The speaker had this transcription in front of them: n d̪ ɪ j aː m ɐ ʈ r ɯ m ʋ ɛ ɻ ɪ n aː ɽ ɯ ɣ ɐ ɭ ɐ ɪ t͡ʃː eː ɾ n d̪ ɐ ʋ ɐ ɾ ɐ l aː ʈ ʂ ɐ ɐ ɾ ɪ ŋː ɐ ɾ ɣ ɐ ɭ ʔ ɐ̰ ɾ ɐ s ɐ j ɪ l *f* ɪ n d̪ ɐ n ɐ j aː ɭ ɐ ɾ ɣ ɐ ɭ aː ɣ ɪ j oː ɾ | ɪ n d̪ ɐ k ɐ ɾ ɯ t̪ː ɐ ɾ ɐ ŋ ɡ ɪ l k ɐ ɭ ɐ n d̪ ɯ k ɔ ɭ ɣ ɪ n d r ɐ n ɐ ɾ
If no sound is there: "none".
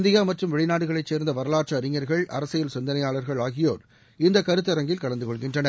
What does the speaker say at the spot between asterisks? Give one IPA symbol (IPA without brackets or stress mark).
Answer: s